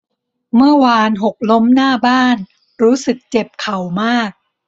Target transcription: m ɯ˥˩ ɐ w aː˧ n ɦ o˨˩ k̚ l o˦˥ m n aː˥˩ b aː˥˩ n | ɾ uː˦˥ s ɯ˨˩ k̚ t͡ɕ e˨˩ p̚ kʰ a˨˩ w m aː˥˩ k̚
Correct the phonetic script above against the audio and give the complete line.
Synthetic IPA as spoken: m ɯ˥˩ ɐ w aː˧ n ɦ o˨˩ k̚ l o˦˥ m n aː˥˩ b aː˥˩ n | ɾ uː˦˥ s ɯ˨˩ k̚ t͡ɕ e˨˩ p̚ kʰ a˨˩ w m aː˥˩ k̚